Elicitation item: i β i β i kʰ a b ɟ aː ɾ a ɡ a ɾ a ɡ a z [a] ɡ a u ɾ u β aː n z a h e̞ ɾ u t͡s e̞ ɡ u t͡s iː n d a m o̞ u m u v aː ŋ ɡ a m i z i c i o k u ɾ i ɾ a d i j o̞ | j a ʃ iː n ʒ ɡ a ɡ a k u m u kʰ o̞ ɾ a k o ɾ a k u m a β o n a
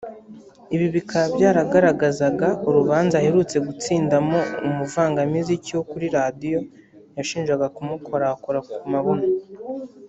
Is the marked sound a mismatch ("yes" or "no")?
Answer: no